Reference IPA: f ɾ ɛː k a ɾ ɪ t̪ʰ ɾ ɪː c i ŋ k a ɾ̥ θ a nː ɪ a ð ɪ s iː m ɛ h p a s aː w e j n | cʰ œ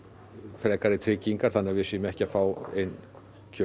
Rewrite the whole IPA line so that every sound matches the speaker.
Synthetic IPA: f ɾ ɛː k a ɾ ɪ t̪ʰ ɾ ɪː c i ŋ k a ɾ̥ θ a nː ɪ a v ɪ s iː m ɛ h c a f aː w e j n | cʰ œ